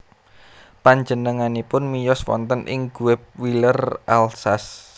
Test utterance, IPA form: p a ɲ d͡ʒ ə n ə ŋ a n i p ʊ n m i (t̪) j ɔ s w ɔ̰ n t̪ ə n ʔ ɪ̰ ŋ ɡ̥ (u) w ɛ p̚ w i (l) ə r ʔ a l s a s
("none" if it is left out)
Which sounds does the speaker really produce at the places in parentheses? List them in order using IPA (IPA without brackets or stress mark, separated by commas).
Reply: none, u, l